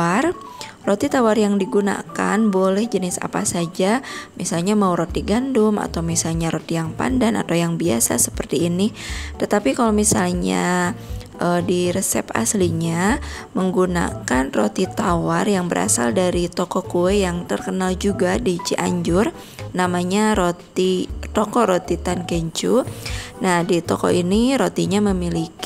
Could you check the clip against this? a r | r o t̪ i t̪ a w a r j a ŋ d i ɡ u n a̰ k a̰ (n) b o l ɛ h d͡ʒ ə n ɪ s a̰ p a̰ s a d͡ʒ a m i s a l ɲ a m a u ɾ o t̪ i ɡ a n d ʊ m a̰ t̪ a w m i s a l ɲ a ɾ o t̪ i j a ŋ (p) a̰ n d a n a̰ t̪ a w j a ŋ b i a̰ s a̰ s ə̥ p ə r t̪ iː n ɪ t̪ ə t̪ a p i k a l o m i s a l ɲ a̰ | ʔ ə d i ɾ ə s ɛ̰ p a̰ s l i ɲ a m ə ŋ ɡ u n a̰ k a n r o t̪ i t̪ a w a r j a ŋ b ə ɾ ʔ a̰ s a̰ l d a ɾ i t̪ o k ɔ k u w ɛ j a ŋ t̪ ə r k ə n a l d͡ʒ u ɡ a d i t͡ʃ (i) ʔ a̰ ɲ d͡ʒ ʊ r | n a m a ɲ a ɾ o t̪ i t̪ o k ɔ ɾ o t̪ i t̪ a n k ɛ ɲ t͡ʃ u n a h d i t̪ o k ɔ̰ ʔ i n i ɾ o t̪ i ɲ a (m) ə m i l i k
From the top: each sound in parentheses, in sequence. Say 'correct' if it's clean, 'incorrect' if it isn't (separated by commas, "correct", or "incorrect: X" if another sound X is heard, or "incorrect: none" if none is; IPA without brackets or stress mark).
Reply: correct, correct, correct, correct